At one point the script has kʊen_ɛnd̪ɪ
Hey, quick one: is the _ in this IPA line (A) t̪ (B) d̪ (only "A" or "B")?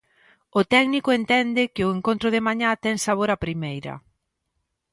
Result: A